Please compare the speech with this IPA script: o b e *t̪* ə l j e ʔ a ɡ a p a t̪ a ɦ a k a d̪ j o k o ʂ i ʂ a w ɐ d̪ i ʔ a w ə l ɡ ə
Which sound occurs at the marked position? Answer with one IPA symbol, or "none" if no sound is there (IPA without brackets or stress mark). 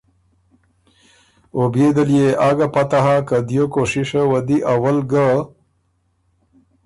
d̪